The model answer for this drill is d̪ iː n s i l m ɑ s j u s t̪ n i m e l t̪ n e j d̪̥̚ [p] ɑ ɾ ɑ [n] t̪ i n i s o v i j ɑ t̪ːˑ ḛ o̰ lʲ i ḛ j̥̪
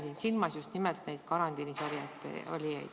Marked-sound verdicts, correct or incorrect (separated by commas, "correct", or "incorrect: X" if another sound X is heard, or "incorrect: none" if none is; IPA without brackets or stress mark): incorrect: k, correct